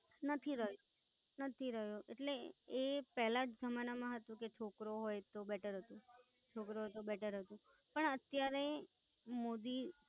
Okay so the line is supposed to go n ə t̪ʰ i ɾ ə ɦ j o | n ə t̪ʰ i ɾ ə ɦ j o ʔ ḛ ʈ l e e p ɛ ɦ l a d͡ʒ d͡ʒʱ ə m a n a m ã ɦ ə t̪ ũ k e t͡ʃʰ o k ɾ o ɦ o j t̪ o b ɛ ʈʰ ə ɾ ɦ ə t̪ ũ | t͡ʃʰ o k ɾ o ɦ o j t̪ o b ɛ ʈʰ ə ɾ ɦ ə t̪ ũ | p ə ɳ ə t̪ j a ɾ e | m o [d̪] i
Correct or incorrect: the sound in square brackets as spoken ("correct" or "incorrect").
correct